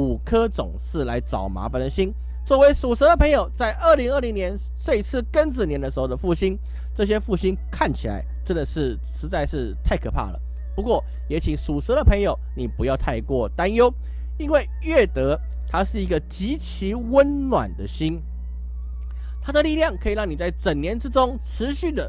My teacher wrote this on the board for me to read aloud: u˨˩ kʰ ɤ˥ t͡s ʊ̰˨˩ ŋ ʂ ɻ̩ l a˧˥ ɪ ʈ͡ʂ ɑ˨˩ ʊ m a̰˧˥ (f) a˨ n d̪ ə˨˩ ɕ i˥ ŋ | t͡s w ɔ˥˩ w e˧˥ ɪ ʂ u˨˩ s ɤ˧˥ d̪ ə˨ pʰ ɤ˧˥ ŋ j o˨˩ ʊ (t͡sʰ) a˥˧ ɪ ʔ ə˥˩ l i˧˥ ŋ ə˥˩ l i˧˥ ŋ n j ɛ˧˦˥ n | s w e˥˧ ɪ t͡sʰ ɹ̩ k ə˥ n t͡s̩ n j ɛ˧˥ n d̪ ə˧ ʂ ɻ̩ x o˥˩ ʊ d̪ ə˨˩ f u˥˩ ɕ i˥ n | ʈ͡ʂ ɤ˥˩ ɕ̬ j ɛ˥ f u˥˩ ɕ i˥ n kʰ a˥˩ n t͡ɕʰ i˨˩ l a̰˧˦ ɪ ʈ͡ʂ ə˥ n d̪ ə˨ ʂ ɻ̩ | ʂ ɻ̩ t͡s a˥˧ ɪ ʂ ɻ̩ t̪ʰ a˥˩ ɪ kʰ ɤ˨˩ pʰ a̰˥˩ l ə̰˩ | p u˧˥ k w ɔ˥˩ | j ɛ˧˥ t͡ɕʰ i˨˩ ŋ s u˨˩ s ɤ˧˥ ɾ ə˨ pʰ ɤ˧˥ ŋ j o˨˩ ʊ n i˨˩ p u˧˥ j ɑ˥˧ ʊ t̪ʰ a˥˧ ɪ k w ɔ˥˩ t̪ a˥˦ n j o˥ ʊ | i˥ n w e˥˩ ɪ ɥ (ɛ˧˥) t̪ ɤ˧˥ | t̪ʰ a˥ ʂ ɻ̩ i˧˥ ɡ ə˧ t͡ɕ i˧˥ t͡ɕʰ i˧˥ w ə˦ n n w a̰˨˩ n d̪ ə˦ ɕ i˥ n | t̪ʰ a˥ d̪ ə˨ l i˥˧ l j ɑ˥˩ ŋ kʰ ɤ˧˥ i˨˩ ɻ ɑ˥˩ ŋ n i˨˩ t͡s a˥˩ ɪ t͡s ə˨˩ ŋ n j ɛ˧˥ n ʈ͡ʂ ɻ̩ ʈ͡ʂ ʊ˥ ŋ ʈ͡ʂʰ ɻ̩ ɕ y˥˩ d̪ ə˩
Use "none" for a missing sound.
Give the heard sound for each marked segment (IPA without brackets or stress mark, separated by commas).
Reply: f, t͡s, ɛ˥˩